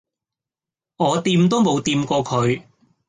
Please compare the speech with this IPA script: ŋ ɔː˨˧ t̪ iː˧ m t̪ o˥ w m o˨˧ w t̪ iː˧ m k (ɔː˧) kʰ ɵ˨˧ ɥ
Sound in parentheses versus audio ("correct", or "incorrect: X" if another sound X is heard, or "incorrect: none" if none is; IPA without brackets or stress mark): correct